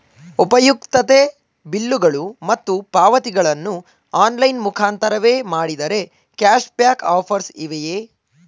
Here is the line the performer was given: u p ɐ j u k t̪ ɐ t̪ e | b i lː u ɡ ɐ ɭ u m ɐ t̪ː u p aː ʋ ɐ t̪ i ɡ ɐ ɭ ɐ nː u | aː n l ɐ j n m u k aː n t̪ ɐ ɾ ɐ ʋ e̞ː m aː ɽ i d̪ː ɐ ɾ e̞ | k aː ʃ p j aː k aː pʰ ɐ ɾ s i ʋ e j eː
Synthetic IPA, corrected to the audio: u p ɐ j u k t̪ ɐ t̪ e | b i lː u ɡ ɐ ɭ u m ɐ t̪ː u p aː ʋ ɐ t̪ i ɡ ɐ ɭ ɐ nː u | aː n l ɐ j n m u kʰ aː n t̪ ɐ ɾ ɐ ʋ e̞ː m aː ɽ i d̪ ɐ ɾ e̞ | k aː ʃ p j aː k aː pʰ ɐ ɾ s i ʋ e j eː